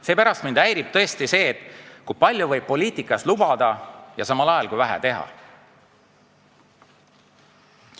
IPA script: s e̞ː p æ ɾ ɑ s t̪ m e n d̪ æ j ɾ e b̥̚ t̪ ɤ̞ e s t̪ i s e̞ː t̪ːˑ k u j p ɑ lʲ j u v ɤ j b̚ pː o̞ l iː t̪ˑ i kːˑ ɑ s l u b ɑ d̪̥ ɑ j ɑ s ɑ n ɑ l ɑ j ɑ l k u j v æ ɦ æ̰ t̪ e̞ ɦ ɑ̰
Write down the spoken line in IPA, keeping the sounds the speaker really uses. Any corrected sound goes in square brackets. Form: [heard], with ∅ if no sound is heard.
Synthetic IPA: s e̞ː p æ ɾ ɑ s t̪ m [i] n d̪ æ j ɾ [i] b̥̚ t̪ ɤ̞ e s t̪ i s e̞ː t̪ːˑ k u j p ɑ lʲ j u v ɤ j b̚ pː o̞ l iː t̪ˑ i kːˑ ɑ s l u b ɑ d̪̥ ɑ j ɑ s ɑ [m] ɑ l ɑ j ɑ l k u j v æ ɦ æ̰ t̪ e̞ ɦ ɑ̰